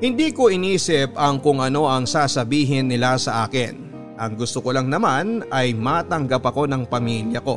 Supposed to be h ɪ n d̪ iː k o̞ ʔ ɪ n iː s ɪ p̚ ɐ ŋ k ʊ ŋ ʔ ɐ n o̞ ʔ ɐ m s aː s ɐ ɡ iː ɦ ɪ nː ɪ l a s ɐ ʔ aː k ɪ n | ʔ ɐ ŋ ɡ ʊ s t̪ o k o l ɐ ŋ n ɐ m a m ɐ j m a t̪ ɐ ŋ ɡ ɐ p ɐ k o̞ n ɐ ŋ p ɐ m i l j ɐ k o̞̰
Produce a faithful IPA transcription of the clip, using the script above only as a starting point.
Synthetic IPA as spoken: h ɪ n d̪ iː k o̞ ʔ ɪ n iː s ɪ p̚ ɐ ŋ k ʊ ŋ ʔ ɐ n o̞ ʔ ɐ ŋ s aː s ɐ b iː ɦ ɪ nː ɪ l a s ɐ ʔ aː k ɪ n | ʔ ɐ ŋ ɡ ʊ s t̪ o k o l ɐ ŋ n ɐ m a n ɐ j m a t̪ ɐ ŋ ɡ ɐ p ɐ k o̞ n ɐ ŋ p ɐ m i l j ɐ k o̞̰